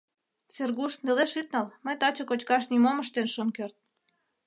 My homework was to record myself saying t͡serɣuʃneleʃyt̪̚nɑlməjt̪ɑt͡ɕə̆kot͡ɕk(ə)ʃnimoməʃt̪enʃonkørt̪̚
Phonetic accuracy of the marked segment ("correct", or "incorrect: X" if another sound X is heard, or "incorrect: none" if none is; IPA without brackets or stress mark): incorrect: ɑ